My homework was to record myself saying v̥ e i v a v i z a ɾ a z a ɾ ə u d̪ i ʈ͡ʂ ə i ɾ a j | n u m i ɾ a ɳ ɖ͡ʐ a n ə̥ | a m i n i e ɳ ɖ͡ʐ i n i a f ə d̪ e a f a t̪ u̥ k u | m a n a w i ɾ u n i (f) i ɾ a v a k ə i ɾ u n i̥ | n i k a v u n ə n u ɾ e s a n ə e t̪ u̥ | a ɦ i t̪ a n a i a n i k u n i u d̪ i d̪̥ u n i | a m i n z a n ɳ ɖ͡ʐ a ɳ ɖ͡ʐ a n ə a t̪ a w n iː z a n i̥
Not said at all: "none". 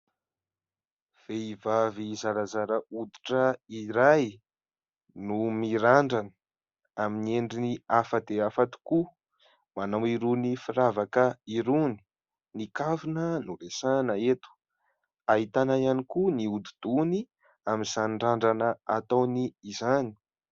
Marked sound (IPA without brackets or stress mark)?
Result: f